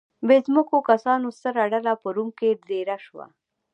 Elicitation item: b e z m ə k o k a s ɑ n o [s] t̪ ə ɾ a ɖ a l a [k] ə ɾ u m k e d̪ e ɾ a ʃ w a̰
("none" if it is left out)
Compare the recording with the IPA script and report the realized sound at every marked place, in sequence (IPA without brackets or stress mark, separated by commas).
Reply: s, p